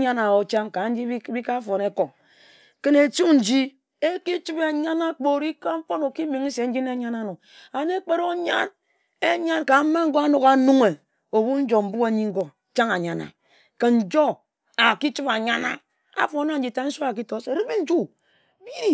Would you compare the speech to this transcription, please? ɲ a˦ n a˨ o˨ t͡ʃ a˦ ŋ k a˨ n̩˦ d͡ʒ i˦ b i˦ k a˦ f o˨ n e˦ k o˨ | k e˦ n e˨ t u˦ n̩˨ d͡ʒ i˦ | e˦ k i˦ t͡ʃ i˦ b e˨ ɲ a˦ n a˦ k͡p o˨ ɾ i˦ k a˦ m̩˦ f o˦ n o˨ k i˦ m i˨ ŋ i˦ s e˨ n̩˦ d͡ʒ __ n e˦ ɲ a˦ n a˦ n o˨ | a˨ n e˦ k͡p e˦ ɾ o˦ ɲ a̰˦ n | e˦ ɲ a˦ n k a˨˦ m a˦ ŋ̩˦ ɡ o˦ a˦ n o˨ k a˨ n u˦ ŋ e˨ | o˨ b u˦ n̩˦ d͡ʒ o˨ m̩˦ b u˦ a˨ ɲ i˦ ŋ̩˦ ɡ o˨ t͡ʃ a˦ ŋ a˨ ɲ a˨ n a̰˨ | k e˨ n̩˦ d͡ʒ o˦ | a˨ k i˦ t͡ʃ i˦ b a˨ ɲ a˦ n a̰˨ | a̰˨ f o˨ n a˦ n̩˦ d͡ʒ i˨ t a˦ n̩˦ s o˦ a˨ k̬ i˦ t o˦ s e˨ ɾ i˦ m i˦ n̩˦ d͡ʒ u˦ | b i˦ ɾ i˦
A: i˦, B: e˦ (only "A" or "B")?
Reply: A